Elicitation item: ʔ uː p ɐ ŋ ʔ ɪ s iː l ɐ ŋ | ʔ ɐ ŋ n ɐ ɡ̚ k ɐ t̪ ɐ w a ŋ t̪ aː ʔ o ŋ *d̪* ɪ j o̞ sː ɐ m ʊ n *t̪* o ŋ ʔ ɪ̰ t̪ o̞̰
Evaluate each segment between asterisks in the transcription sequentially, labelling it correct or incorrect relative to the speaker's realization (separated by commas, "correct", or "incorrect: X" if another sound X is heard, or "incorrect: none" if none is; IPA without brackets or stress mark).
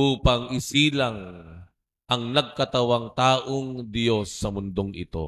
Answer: correct, incorrect: d̪